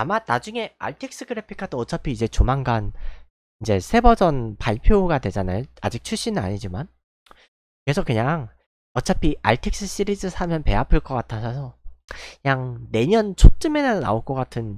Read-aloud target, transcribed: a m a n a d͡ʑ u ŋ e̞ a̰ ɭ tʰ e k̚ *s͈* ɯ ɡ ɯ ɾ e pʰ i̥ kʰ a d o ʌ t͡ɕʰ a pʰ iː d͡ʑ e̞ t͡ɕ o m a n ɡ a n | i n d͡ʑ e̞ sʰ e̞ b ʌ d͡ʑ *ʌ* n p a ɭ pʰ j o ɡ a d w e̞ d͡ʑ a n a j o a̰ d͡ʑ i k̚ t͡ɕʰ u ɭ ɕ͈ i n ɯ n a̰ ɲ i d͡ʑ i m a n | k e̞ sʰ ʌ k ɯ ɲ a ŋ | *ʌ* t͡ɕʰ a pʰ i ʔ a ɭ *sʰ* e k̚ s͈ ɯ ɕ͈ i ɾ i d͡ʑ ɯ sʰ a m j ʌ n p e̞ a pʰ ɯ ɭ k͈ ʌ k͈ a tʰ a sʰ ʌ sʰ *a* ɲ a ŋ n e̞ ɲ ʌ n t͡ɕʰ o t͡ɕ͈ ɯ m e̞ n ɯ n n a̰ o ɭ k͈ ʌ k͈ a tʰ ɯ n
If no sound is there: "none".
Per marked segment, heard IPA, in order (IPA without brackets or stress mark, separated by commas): s͈, ʌ, ʌ, tʰ, ʌ